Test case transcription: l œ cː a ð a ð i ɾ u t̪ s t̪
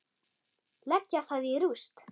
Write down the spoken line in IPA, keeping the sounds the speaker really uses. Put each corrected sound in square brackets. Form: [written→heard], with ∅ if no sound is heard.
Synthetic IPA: l [œ→ɛ] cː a [ð→θ] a ð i ɾ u [t̪→∅] s t̪